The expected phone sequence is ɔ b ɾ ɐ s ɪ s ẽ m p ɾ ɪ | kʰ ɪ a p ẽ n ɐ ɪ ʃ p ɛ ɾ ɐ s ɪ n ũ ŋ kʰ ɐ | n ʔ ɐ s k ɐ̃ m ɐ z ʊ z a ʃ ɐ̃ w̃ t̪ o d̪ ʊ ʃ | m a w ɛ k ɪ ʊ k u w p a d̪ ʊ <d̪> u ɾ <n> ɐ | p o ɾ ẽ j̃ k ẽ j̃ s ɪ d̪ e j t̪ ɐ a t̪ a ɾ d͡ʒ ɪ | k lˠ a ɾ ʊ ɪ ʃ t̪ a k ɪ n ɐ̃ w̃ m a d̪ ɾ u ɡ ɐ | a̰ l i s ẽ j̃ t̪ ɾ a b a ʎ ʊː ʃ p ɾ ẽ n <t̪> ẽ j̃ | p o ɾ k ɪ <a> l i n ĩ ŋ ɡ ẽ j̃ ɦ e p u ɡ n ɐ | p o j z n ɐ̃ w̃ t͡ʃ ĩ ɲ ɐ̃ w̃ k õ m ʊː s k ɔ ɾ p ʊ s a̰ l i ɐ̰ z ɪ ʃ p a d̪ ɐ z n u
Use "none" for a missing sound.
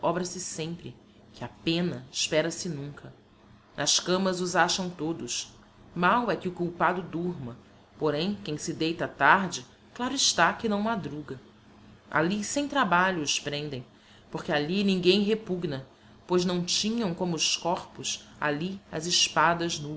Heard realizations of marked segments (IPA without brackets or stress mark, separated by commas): d̪, m, d̪, a